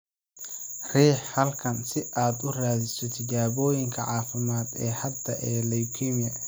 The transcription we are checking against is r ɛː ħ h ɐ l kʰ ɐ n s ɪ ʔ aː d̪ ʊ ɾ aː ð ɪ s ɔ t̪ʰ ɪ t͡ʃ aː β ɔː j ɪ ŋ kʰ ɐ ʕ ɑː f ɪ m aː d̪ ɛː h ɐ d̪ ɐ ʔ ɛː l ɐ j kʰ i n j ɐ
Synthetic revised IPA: r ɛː ħ h ɐ l kʰ ɐ n s ɪ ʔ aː d̪ ʊ r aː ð ɪ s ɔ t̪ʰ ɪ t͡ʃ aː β ɔː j ɪ ŋ kʰ ɐ ʕ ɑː f ɪ m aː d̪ ɛː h ɐ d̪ ɐ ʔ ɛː l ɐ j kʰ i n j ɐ

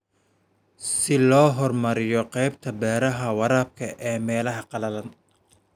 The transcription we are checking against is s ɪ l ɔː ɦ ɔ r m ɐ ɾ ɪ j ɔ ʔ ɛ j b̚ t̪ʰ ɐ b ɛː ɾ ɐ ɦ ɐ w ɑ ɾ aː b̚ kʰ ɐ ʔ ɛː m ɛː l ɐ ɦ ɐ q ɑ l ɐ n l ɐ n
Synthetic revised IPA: s ɪ l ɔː ɦ ɔ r m ɐ ɾ ɪ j ɔ q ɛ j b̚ t̪ʰ ɐ b ɛː ɾ ɐ ɦ ɐ w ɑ ɾ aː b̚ kʰ ɐ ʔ ɛː m ɛː l ɐ ɦ ɐ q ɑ l ɐ l ɐ n

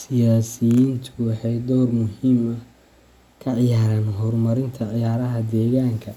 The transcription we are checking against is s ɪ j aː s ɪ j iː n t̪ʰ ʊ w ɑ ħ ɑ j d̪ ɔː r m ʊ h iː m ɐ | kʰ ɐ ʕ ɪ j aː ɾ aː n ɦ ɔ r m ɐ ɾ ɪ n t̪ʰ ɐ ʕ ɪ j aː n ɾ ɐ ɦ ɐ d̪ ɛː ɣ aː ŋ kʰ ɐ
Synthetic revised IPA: s ɪ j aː s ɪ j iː n t̪ʰ ʊ w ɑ ħ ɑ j d̪ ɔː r m ʊ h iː m ɐ | kʰ ɐ ʕ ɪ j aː ɾ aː n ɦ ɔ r m ɐ ɾ ɪ n t̪ʰ ɐ ʕ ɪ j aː ɾ ɐ ɦ ɐ d̪ ɛː ɣ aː ŋ kʰ ɐ

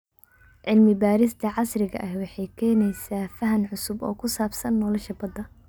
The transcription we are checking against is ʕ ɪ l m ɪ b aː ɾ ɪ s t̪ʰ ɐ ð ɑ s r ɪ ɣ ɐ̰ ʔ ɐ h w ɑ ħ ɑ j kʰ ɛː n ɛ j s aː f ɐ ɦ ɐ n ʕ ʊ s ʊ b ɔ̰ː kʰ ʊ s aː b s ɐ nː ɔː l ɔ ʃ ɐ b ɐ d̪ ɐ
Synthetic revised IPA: ʕ ɪ l m ɪ b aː ɾ ɪ s t̪ʰ ɐ ʕ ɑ s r ɪ ɣ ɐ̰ ʔ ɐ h w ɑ ħ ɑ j kʰ ɛː n ɛ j s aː f ɐ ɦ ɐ n ʕ ʊ s ʊ b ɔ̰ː kʰ ʊ s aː b s ɐ nː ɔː l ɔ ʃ ɐ b ɐ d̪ ɐ

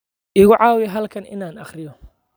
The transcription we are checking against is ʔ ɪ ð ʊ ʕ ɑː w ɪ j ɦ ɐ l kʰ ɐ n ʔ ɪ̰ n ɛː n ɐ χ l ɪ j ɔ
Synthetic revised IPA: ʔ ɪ ɣ ʊ ʕ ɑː w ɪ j ɦ ɐ l kʰ ɐ n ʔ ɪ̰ n aː n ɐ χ r ɪ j ɔ

